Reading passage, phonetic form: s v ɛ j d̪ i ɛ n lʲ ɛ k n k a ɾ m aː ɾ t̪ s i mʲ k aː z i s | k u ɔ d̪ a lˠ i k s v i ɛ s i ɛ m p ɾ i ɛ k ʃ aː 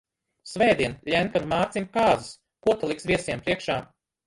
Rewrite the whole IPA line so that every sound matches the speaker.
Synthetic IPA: s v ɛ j d̪ i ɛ n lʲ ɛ n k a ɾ m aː ɾ t̪ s i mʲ k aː z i s | k u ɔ t̪ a lˠ i k s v i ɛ s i ɛ m p ɾ i ɛ k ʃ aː